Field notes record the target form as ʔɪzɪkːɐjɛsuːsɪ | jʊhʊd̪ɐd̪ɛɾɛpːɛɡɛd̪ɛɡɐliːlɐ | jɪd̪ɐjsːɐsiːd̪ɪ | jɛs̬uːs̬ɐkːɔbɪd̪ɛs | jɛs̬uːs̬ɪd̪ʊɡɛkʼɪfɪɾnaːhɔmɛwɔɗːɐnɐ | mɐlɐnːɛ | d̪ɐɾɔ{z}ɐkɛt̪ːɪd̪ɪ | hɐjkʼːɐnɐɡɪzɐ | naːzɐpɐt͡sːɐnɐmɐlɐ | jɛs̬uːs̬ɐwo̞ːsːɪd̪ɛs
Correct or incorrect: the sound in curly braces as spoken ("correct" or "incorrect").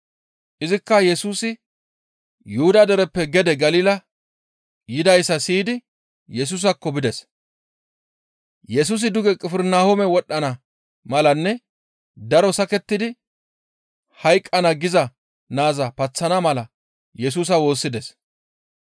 incorrect